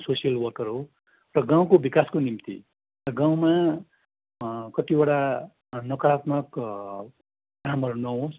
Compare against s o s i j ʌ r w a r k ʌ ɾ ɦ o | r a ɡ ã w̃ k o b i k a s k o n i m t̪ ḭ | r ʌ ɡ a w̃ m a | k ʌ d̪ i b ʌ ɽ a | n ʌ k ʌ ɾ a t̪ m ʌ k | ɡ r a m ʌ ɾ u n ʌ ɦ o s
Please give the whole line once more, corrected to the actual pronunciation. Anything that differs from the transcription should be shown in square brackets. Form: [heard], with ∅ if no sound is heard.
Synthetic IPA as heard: s o s i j ʌ [l] w [ʌ] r k ʌ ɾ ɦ o | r [ʌ] ɡ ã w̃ k o b i k a s k o n i m t̪ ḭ | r ʌ ɡ a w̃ m a | k ʌ [t̪] i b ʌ ɽ a | n ʌ k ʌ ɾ a t̪ m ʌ k | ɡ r a m ʌ ɾ u n ʌ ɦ o s